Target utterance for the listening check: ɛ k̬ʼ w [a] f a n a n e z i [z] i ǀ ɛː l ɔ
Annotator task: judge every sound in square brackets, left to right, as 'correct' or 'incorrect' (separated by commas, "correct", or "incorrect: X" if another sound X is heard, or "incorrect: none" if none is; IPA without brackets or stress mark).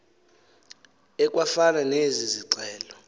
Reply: correct, correct